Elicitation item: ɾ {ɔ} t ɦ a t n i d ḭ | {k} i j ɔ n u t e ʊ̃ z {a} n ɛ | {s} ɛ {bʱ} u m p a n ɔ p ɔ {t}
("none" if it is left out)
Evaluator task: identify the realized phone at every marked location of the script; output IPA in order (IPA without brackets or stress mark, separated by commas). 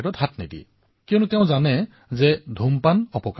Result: ɔ, k, a, z, dʱ, k